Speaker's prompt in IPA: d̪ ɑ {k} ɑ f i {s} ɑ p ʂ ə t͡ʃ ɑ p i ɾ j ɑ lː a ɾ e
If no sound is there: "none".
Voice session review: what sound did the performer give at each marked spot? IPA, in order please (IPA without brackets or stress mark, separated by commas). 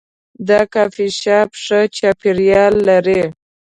k, ʃ